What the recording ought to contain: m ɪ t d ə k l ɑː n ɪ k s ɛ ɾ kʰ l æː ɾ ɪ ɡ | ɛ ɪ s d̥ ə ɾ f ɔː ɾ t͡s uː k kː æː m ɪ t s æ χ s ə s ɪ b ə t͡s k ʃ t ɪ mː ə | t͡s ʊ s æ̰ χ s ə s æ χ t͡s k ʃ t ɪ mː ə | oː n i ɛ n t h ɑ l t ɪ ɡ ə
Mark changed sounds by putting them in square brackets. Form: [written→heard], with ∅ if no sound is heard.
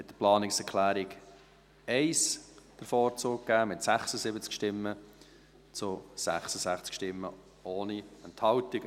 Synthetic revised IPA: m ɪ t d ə [k→p] l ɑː n ɪ k s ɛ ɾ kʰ l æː ɾ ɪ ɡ | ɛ ɪ s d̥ ə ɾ f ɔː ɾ t͡s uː k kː æː m ɪ t s æ χ s ə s ɪ b ə t͡s k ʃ t ɪ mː ə | t͡s ʊ s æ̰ χ s ə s æ χ t͡s k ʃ t ɪ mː ə | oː n i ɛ n t h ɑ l t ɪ ɡ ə